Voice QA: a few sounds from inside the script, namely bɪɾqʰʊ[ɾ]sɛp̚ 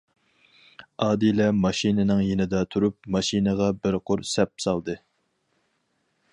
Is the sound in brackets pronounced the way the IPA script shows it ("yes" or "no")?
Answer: yes